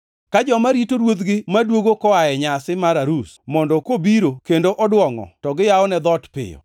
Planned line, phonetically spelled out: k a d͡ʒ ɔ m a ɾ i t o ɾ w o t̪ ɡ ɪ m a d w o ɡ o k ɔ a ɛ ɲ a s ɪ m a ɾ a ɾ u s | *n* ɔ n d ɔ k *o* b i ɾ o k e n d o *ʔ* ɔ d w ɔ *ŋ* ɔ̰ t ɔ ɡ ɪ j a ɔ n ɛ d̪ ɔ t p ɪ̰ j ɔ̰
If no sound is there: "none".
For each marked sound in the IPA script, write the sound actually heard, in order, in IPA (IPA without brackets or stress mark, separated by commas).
m, o, ʔ, ŋ